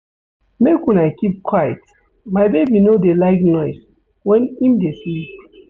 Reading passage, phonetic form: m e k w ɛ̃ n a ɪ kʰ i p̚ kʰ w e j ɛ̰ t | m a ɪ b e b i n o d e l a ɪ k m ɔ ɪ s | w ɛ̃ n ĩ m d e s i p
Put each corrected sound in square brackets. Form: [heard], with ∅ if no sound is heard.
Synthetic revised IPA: m e k w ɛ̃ n a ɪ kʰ i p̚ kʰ w [a] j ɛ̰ t | m a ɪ b e b i n o d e l a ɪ k [n] ɔ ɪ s | w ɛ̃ n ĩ m d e s i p